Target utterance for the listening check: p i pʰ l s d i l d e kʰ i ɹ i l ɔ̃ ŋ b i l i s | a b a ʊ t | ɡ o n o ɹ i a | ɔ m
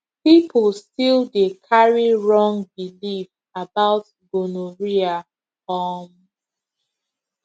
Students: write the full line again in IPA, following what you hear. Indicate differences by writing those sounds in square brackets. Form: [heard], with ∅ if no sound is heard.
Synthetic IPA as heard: p i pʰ l s [t] i l d e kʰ [a] ɹ i [ɹ] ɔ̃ ŋ b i l i [f] | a b a ʊ t | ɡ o n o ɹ i a | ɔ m